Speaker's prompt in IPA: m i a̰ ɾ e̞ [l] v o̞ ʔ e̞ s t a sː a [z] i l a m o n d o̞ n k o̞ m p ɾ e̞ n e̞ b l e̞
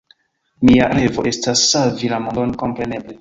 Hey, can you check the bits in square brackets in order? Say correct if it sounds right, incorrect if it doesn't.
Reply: incorrect: none, incorrect: v

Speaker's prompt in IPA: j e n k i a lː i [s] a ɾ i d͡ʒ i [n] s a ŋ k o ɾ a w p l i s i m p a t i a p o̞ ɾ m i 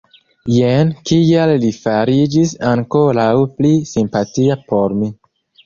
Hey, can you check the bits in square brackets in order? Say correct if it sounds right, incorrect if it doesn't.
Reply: incorrect: f, incorrect: none

